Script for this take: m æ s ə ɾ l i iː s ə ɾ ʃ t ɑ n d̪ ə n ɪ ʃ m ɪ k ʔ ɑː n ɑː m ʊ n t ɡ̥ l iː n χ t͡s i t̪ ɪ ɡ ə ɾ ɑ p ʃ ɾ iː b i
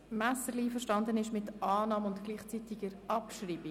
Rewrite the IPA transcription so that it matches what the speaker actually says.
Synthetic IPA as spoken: m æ s ə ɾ l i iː f ə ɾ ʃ t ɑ n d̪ ə n ɪ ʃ m ɪ t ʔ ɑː n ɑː m ʊ n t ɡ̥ l iː χ t͡s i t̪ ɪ ɡ ə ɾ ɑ p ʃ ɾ iː b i